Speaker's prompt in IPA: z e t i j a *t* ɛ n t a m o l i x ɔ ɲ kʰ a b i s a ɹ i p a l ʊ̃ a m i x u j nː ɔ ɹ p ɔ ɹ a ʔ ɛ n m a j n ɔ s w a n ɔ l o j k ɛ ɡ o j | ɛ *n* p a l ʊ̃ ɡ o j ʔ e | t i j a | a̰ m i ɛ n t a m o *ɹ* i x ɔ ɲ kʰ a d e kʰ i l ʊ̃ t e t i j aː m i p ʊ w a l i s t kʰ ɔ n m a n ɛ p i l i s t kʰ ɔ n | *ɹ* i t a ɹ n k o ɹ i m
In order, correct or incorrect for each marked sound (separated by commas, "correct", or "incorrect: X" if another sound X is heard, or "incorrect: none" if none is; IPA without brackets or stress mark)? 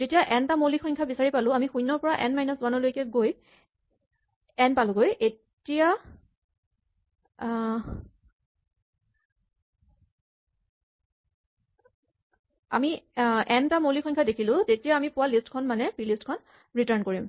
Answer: incorrect: ʔ, correct, incorrect: l, correct